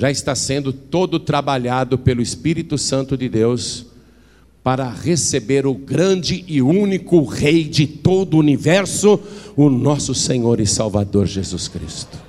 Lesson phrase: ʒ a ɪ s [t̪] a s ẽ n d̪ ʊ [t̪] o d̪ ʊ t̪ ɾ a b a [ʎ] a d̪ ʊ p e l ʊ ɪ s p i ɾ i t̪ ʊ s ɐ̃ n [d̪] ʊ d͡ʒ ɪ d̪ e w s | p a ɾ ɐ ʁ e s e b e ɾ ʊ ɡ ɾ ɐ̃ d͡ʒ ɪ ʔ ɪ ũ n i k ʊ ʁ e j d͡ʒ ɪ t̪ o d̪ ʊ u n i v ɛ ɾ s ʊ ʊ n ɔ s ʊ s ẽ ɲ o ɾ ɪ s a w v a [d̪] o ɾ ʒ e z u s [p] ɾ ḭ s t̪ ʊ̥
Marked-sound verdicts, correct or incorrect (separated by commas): correct, correct, correct, incorrect, correct, incorrect